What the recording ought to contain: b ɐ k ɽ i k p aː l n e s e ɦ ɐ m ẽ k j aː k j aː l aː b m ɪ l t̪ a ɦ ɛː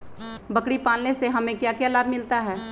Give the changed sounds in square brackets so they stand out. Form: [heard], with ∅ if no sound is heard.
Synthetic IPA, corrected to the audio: b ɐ k ɽ i [∅] p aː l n e s e ɦ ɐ m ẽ k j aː k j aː l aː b m ɪ l t̪ a ɦ ɛː